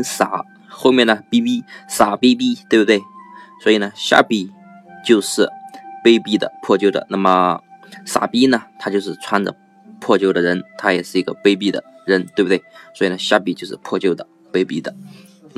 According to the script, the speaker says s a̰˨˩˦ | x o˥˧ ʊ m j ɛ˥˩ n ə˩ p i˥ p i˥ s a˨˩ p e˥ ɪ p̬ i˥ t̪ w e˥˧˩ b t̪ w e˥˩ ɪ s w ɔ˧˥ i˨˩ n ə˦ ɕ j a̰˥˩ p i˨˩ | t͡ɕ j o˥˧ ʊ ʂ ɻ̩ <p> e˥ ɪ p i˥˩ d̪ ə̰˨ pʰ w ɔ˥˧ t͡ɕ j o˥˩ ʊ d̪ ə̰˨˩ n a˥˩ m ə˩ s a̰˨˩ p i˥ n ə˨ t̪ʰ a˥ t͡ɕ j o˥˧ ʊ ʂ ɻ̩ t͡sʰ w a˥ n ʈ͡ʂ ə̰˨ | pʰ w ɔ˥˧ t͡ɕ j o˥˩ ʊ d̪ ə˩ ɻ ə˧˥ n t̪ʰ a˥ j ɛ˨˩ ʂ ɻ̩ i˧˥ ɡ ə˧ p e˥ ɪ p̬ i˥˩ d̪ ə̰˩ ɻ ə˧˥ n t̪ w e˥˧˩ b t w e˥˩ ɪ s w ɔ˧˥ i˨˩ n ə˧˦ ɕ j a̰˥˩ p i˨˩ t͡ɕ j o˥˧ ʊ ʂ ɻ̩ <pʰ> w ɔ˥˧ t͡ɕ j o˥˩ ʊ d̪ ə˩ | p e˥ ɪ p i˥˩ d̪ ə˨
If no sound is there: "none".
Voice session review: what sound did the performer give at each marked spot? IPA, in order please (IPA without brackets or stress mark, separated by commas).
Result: p, pʰ